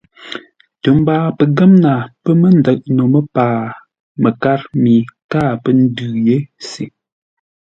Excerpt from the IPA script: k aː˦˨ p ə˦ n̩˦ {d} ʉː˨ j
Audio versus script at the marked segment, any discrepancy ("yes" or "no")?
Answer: no